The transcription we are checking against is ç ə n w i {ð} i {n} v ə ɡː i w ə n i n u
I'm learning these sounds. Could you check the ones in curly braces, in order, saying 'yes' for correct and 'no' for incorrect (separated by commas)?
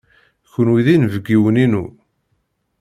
yes, yes